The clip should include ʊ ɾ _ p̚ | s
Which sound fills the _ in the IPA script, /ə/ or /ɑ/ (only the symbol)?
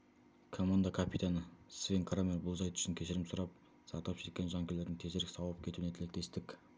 ɑ